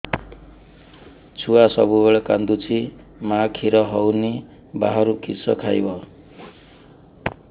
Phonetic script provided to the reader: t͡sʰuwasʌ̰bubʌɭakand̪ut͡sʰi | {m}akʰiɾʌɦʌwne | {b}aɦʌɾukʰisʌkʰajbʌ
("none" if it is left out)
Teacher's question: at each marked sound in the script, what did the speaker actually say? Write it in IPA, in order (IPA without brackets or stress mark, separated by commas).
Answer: m, b